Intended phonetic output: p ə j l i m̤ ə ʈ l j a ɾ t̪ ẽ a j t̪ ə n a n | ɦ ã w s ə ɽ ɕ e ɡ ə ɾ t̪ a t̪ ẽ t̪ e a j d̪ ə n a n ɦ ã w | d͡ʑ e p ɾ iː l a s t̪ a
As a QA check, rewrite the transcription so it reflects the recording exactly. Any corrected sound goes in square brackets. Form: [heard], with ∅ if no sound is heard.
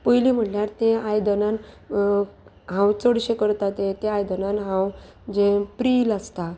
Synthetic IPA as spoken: p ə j l i m̤ ə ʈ l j a ɾ t̪ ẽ a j [d̪] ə n a n | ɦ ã w [t͡s] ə ɽ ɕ e [k] ə ɾ t̪ a t̪ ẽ t̪ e a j d̪ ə n a n ɦ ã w | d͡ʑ e p ɾ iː l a s t̪ a